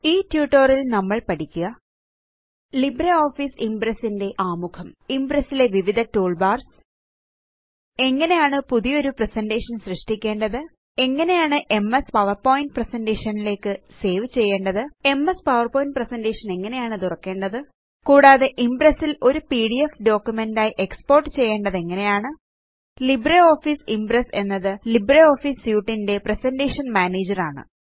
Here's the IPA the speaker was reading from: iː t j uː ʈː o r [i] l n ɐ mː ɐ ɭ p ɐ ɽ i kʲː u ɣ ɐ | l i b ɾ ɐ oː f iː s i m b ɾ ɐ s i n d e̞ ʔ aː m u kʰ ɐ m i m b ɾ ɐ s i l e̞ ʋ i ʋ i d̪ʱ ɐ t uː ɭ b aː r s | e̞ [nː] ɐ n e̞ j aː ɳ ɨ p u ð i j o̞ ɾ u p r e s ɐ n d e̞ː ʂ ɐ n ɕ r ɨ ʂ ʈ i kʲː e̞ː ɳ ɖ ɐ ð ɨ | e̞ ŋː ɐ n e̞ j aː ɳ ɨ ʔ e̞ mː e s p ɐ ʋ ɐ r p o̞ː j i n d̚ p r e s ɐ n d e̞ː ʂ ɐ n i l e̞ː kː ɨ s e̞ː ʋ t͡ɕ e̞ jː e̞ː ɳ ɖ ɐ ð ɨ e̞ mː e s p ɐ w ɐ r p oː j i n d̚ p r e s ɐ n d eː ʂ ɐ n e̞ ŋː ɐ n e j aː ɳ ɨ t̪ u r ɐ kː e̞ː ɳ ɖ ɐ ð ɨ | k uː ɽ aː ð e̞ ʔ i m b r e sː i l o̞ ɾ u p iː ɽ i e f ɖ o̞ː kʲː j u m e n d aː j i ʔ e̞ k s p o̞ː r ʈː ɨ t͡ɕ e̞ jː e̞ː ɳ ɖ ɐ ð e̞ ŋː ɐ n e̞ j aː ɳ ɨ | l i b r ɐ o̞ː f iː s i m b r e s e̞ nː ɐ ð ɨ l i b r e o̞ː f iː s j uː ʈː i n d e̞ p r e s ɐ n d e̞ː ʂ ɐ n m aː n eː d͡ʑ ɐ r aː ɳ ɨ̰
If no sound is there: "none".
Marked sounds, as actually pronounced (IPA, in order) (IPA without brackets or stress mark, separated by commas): i, ŋː